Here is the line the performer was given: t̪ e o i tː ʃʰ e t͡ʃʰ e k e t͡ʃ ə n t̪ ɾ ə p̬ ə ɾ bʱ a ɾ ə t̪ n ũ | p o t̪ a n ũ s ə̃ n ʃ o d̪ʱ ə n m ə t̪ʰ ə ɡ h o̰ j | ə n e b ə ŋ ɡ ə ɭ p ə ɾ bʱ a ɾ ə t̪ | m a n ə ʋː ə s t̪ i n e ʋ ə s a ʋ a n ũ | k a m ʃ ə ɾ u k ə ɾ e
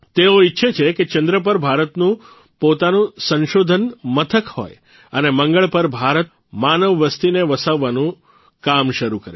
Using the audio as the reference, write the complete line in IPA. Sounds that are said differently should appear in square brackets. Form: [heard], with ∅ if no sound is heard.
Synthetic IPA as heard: t̪ e o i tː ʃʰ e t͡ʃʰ e k e t͡ʃ ə n [d̪] ɾ ə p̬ ə ɾ bʱ a ɾ ə t̪ n ũ | p o t̪ a n ũ s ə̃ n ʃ o d̪ʱ ə n m ə t̪ʰ ə [k] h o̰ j | ə n e [m] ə ŋ ɡ ə ɭ p ə ɾ bʱ a ɾ ə t̪ | m a n ə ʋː ə s t̪ i n e ʋ ə s a [ʋː] a n ũ | k a m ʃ ə ɾ u k ə ɾ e

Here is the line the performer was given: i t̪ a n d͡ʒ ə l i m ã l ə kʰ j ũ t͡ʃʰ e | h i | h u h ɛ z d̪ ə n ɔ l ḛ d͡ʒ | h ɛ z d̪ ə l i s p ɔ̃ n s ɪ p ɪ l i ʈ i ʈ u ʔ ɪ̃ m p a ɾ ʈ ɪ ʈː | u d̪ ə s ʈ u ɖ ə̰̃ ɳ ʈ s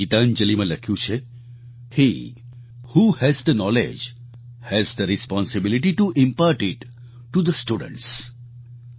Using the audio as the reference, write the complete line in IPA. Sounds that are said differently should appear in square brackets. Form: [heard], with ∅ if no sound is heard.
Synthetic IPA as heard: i t̪ a n d͡ʒ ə l i m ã l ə kʰ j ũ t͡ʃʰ e | h i | h u h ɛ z d̪ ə n ɔ l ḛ d͡ʒ | h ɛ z d̪ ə [ɾ] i s p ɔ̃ n s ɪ [b] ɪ l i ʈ i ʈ u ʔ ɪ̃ m p a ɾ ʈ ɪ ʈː | u d̪ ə s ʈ u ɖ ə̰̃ ɳ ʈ s

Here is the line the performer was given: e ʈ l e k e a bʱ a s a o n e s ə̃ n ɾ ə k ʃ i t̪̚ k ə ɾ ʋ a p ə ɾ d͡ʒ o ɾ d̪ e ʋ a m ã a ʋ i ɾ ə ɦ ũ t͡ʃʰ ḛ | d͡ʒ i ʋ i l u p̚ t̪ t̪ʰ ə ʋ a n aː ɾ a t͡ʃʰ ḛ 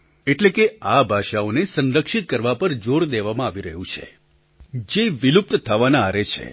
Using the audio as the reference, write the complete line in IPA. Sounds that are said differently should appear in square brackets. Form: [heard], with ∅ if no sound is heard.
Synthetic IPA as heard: e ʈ l e k e a bʱ a [ʃ] a o n e s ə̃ n ɾ ə k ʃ i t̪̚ k ə ɾ ʋ a p ə ɾ d͡ʒ o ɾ d̪ e ʋ a m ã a ʋ i ɾ ə ɦ ũ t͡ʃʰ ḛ | d͡ʒ [e] ʋ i l u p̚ t̪ t̪ʰ ə ʋ a n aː ɾ [e] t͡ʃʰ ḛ

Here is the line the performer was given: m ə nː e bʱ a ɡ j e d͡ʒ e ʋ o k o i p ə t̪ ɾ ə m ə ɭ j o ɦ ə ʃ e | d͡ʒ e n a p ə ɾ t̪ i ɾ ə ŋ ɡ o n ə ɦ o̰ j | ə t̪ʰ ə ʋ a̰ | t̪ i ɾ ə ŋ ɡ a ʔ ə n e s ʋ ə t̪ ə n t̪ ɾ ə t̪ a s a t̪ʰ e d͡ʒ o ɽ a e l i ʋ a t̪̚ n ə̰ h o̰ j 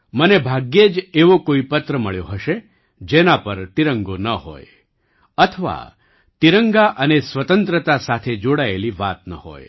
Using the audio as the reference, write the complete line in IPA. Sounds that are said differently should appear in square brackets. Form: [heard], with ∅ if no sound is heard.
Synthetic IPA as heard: m ə [n] e bʱ a ɡ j e d͡ʒ e ʋ o k o i p ə t̪ ɾ ə m ə ɭ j o ɦ ə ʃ e | d͡ʒ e n a p ə ɾ t̪ i ɾ ə ŋ ɡ o n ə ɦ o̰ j | ə t̪ʰ ə ʋ a̰ | t̪ i ɾ ə ŋ ɡ a ʔ ə n e s ʋ ə t̪ ə n t̪ ɾ ə t̪ a s a t̪ʰ e d͡ʒ o ɽ a e l i ʋ a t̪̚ n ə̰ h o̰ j

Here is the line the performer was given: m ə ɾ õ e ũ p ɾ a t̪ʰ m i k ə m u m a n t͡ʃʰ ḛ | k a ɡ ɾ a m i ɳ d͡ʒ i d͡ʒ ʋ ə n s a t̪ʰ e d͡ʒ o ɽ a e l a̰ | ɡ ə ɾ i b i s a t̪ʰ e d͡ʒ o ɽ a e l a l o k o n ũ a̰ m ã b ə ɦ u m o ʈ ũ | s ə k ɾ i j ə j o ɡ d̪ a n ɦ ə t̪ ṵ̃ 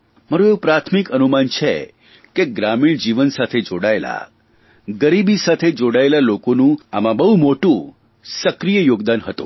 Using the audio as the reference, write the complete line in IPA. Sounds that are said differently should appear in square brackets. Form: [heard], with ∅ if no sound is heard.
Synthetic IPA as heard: m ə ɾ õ e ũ p ɾ a t̪ʰ m i k ə [n] u m a n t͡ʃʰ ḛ | k [e] ɡ ɾ a m i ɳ d͡ʒ i [∅] ʋ ə n s a t̪ʰ e d͡ʒ o ɽ a e l a̰ | ɡ ə ɾ i b i s a t̪ʰ e d͡ʒ o ɽ a e l a l o k o n ũ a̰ m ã b ə ɦ u m o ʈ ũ | s ə k ɾ i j ə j o ɡ d̪ a n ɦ ə t̪ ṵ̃

